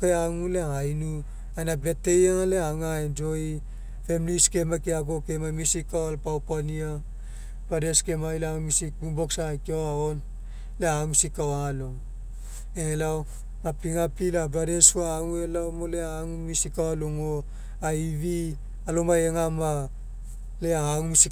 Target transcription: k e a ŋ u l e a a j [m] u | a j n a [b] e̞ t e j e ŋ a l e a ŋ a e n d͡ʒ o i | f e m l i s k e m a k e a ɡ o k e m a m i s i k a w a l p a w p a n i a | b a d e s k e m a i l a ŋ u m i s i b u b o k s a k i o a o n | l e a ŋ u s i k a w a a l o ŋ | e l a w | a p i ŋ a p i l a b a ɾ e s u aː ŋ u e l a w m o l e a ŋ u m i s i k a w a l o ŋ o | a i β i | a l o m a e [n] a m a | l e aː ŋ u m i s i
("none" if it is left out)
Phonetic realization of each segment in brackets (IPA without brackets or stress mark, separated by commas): n, b, ŋ